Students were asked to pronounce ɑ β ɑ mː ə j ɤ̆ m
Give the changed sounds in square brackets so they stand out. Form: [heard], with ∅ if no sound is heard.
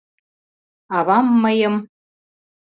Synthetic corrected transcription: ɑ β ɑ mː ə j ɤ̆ m